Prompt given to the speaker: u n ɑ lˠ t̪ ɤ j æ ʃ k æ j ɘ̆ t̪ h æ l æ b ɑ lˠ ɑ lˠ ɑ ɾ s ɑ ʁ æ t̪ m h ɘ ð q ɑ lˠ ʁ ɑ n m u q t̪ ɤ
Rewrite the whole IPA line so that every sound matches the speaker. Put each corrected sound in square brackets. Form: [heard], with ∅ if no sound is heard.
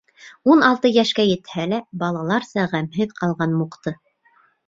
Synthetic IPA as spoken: u n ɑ lˠ t̪ ɤ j æ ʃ k æ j ɘ̆ t̪ h æ l æ b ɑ lˠ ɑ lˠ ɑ ɾ s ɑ ʁ æ [∅] m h ɘ ð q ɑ lˠ ʁ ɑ n m u q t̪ ɤ

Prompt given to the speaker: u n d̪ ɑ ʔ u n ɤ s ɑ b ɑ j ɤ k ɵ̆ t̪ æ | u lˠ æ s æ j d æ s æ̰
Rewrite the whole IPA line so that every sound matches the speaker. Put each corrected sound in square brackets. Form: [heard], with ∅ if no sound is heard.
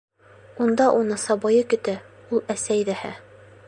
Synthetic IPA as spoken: u n d̪ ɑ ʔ u n ɤ s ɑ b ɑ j ɤ k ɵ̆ t̪ æ | u lˠ æ s æ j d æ [h] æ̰

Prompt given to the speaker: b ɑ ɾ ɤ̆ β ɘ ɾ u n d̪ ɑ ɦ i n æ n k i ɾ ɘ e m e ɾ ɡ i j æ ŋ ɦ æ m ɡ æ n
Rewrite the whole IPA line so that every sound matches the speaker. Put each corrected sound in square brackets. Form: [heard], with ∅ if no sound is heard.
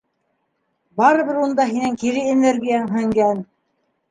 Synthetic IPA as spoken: b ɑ ɾ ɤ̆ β ɘ ɾ u n d̪ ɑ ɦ i n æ [ŋ] k i ɾ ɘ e [n] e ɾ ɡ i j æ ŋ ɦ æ [ŋ] ɡ æ n

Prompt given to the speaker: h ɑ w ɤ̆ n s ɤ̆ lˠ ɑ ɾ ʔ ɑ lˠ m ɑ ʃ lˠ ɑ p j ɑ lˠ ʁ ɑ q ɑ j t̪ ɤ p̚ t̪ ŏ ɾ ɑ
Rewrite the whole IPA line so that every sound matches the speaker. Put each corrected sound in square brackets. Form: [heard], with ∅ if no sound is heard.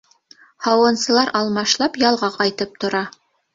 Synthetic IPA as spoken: h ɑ w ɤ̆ n s ɤ̆ lˠ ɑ ɾ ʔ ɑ lˠ m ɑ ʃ lˠ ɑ p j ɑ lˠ ʁ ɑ q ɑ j t̪ ɤ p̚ t̪ ŏ ɾ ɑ

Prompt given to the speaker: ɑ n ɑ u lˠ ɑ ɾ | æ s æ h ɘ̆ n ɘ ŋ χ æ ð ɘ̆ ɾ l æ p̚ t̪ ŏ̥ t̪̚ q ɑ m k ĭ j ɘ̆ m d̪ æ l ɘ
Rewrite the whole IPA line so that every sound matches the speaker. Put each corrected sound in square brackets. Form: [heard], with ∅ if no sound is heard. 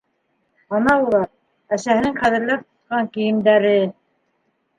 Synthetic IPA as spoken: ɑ n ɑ u lˠ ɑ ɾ | æ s æ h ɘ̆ n ɘ ŋ χ æ ð ɘ̆ ɾ l æ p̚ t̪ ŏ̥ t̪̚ q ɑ [ŋ] k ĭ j ɘ̆ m d̪ æ [ɾ] ɘ

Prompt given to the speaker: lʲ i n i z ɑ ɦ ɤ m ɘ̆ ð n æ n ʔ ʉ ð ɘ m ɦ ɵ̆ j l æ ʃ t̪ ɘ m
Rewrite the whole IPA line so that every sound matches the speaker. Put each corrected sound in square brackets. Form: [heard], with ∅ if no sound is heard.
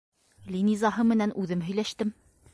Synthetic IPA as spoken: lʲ i n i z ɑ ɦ ɤ m ɘ̆ [∅] n æ n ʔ ʉ ð ɘ m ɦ ɵ̆ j l æ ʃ t̪ ɘ m

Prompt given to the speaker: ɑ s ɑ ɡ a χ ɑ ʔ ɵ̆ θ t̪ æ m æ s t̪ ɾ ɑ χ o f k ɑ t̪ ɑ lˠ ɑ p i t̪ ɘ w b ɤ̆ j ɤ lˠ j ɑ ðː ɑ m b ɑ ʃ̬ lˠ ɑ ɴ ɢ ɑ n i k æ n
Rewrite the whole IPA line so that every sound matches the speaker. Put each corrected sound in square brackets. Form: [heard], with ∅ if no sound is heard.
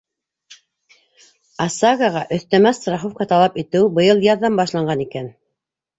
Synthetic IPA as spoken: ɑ s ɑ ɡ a [ʁ] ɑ ʔ ɵ̆ θ t̪ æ m æ s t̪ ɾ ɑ χ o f k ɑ t̪ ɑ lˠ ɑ p i t̪ ɘ w b ɤ̆ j ɤ lˠ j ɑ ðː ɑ m b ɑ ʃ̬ lˠ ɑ ɴ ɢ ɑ n i k æ n

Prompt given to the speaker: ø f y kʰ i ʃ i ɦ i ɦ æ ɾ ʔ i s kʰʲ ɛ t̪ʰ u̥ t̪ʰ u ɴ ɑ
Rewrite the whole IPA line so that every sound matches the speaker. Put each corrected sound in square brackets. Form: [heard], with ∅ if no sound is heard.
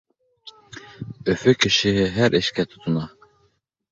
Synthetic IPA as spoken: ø f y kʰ i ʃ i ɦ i ɦ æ ɾ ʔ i [ʃ] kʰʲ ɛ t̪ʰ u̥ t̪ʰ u [n] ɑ

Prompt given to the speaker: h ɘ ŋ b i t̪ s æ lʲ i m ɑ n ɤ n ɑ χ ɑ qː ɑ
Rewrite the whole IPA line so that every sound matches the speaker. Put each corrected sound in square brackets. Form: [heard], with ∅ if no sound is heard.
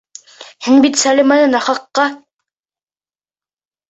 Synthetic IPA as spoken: h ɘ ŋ b i t̪ s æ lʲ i m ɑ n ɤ n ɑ χ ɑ qː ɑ

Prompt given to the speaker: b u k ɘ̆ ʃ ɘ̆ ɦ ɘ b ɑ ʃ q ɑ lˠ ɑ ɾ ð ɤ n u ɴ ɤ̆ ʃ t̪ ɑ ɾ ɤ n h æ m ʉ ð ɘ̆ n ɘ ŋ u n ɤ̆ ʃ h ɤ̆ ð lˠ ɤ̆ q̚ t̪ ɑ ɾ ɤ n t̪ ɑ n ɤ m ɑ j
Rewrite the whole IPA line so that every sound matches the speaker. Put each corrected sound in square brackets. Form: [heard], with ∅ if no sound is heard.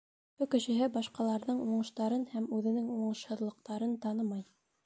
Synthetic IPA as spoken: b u k ɘ̆ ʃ ɘ̆ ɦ ɘ b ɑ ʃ q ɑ lˠ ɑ ɾ ð ɤ [ɴ] u ɴ ɤ̆ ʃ t̪ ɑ ɾ ɤ n h æ m ʉ ð ɘ̆ n ɘ ŋ u [ɴ] ɤ̆ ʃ h ɤ̆ ð lˠ ɤ̆ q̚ t̪ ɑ ɾ ɤ n t̪ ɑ n ɤ m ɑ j

